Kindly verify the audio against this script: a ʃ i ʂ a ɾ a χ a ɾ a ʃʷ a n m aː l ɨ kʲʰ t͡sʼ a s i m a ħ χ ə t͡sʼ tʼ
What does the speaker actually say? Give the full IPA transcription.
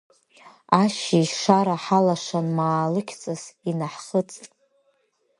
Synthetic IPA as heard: a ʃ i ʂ a ɾ a ħ a l a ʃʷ a n m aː l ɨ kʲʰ t͡sʼ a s i n a ħ χ ə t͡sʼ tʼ